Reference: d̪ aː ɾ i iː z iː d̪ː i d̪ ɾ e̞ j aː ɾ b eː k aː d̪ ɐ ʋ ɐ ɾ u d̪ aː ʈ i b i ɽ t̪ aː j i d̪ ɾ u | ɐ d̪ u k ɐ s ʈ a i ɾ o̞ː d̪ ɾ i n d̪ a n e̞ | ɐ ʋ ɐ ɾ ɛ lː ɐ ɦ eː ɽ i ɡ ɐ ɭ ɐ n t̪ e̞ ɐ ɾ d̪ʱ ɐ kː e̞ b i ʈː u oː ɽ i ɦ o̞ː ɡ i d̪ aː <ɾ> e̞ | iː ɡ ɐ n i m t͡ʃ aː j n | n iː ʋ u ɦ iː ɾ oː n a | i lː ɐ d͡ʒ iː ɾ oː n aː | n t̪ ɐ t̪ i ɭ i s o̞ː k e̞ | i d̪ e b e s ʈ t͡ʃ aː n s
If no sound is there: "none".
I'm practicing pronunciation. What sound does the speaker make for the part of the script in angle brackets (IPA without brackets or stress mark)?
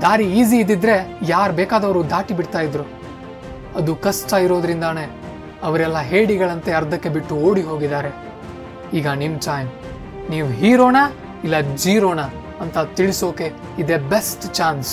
ɾ